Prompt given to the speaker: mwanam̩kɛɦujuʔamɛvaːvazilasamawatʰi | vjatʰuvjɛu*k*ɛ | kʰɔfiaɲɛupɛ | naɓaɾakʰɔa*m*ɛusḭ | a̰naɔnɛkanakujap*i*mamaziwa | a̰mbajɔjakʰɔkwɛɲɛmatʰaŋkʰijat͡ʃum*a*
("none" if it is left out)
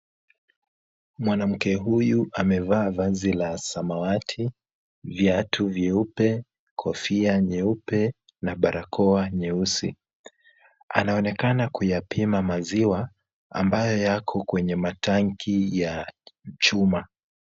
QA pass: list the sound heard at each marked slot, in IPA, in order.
p, ɲ, i, a

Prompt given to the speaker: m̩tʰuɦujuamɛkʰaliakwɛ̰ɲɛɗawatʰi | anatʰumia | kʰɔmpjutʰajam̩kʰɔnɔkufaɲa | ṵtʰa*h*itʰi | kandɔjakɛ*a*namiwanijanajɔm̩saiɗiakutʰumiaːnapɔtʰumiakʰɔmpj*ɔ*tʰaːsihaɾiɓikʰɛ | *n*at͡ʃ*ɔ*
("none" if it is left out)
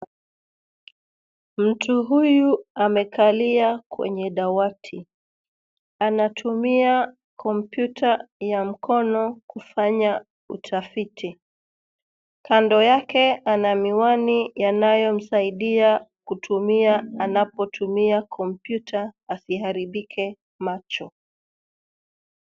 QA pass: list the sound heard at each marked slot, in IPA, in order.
f, a, u, m, ɔ

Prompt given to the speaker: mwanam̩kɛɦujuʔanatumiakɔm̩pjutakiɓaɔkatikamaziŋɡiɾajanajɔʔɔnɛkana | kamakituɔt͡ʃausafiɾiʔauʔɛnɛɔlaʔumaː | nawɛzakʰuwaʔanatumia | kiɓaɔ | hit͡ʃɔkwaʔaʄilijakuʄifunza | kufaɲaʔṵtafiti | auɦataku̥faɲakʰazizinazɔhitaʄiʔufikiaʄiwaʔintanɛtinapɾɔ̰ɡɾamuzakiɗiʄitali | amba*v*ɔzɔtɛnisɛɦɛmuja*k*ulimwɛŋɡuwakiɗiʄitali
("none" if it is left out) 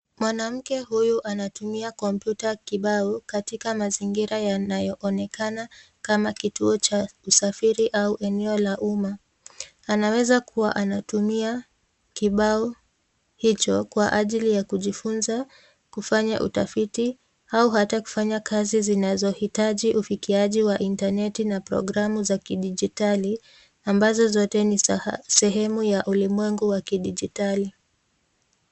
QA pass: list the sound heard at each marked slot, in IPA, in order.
z, ʔ

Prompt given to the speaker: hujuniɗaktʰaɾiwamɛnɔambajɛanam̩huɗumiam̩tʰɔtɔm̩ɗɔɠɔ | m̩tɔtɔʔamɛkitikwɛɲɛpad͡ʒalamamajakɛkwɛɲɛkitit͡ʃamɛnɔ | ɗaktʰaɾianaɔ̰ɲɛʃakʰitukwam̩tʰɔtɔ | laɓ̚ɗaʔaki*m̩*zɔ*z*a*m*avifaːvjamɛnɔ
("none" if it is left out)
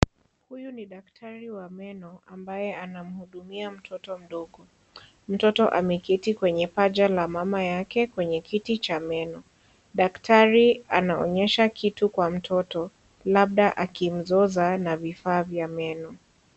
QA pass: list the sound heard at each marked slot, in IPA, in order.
m̩, z, n

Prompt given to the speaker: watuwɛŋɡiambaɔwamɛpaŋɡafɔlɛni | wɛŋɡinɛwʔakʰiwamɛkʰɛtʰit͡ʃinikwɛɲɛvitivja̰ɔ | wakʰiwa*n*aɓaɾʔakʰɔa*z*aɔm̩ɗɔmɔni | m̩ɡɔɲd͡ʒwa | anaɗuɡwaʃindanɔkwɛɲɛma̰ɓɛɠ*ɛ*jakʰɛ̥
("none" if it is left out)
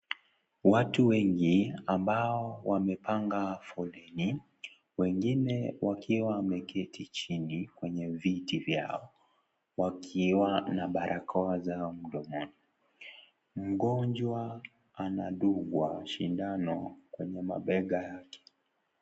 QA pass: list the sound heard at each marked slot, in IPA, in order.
n, z, a

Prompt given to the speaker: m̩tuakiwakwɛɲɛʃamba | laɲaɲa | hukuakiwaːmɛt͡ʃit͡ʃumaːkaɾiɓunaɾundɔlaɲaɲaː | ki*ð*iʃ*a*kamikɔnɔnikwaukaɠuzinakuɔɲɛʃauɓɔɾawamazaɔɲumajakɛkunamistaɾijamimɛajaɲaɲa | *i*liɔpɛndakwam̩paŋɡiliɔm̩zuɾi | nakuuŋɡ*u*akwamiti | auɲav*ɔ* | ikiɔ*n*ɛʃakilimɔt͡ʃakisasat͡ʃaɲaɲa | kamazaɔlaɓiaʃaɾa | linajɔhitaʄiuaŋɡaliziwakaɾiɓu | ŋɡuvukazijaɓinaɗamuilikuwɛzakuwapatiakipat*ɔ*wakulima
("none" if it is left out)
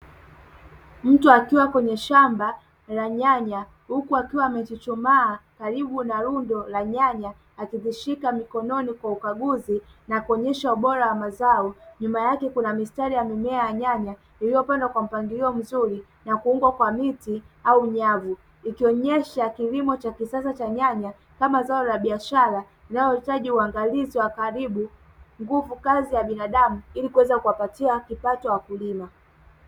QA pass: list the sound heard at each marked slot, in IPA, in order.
ð, i, i, w, u, ɲ, ɔ

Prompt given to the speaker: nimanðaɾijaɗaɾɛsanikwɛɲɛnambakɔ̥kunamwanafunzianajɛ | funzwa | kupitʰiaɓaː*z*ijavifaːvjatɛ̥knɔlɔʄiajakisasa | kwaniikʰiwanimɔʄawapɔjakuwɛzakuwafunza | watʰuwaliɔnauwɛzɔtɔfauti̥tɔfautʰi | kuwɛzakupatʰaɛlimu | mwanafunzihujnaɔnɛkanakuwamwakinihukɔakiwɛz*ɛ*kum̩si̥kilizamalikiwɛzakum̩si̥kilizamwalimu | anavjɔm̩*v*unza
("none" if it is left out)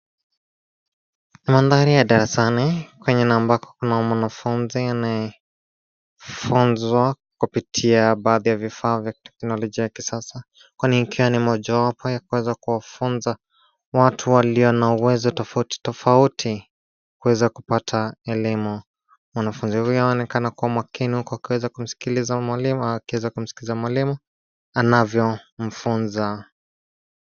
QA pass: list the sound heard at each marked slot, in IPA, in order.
ð, a, f

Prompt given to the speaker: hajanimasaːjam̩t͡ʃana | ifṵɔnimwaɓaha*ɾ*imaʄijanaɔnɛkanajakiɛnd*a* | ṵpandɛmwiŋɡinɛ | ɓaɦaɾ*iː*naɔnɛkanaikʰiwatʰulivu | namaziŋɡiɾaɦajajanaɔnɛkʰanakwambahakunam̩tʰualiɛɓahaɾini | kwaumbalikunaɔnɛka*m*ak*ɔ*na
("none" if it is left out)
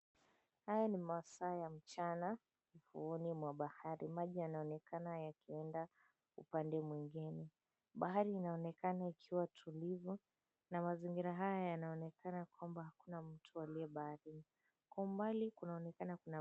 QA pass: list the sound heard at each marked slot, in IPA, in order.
ɾ, a, iː, n, u

